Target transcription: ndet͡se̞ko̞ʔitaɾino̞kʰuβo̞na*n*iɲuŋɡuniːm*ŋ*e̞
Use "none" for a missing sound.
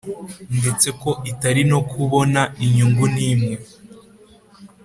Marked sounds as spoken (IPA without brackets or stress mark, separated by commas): none, ŋ